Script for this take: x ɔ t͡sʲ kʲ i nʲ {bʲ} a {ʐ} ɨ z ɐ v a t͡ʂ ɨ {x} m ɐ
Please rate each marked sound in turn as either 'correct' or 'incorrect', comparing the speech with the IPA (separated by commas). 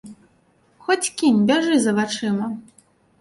correct, correct, incorrect